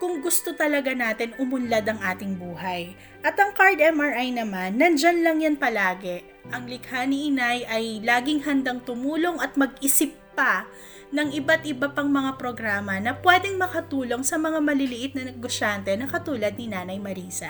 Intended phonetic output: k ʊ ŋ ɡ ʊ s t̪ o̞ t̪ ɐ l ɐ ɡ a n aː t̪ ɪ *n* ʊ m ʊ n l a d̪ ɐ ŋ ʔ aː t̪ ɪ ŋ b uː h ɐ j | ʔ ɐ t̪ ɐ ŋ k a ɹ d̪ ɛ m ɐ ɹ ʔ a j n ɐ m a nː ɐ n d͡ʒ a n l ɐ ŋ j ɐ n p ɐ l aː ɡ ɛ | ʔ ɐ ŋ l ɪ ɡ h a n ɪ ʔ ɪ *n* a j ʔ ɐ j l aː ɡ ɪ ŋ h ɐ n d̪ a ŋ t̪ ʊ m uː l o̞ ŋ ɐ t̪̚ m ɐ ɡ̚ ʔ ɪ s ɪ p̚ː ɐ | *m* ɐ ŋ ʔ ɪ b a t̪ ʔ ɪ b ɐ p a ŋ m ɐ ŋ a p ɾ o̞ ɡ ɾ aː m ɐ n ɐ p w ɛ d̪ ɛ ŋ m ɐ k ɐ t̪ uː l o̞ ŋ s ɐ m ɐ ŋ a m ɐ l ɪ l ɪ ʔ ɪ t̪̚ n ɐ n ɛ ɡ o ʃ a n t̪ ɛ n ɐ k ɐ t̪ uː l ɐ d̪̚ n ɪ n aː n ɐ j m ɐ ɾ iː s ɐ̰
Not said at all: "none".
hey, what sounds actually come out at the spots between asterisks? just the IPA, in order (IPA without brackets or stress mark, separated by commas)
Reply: n, n, n